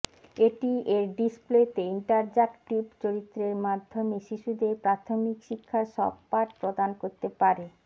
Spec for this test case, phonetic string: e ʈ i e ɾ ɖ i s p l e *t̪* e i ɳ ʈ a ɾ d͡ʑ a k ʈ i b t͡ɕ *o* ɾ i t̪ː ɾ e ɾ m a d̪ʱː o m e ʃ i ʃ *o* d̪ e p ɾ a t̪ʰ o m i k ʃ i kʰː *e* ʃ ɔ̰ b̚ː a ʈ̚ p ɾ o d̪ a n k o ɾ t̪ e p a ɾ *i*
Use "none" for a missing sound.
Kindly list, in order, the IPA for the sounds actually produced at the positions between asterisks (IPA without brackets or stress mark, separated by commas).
t̪, o, u, a, e